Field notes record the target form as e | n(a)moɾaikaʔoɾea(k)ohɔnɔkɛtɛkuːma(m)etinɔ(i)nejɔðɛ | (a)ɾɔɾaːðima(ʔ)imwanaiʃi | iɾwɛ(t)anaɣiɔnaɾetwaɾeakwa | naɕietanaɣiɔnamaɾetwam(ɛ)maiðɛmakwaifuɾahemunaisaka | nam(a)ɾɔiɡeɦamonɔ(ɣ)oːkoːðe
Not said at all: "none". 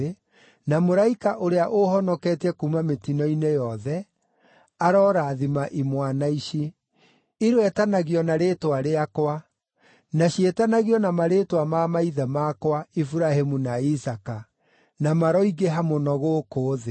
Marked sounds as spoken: a, ʔ, m, i, a, ʔ, t, a, a, ɣ

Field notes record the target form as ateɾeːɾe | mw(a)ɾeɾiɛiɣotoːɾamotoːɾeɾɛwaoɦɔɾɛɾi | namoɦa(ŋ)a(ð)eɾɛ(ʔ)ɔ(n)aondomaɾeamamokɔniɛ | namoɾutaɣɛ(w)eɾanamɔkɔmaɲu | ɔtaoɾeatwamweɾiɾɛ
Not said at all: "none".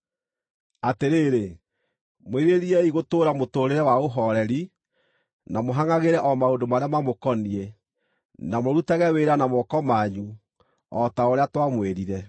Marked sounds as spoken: e, ŋ, ɣ, ʔ, m, w

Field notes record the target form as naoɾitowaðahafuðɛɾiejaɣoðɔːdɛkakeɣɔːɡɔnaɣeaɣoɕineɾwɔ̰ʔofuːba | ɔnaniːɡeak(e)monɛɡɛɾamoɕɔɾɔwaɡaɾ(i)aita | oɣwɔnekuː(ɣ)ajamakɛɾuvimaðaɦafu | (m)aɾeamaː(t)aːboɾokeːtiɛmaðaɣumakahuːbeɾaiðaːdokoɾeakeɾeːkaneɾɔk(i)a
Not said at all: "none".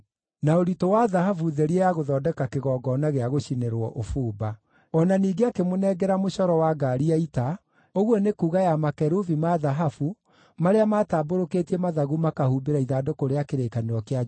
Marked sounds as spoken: e, i, ɣ, m, t, e

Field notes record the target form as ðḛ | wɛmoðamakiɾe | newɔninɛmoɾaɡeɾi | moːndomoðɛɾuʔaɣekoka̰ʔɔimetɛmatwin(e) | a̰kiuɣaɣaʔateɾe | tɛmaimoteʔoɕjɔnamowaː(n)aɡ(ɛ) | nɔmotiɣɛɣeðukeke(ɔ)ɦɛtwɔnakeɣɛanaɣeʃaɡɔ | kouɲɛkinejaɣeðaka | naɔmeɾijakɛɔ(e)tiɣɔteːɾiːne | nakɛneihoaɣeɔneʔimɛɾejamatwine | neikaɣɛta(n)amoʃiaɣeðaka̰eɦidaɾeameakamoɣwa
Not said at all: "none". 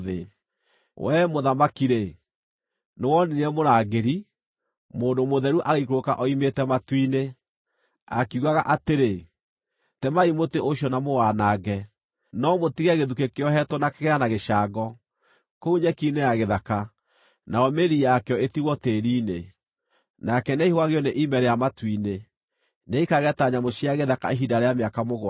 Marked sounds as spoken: e, n, ɛ, ɔ, e, ɲ

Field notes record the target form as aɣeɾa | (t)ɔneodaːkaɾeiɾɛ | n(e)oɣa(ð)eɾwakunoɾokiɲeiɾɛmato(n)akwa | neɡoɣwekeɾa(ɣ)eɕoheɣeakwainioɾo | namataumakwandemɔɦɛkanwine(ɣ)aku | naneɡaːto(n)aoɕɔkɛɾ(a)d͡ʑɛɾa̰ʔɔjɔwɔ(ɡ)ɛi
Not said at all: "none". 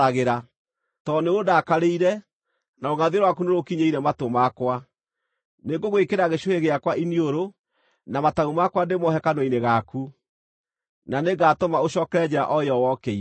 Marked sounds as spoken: t, a, ð, m, ɣ, ɣ, m, ɛ, k

